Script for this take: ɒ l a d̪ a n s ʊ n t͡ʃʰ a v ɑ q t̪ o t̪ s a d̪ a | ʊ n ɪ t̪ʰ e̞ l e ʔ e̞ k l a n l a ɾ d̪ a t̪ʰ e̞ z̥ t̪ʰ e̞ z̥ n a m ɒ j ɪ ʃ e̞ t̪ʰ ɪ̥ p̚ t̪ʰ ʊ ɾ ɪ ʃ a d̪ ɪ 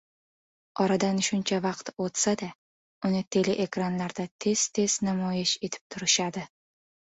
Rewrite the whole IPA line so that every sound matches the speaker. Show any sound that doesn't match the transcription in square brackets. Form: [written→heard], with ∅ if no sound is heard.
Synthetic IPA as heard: ɒ [l→ɾ] a d̪ a n [s→ʃ] ʊ n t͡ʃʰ a v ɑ q t̪ o t̪ s a d̪ a | ʊ n ɪ t̪ʰ e̞ l e ʔ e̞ k [l→ɾ] a n l a ɾ d̪ a t̪ʰ e̞ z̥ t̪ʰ e̞ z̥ n a m ɒ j ɪ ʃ e̞ t̪ʰ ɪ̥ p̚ t̪ʰ ʊ ɾ ɪ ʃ a d̪ ɪ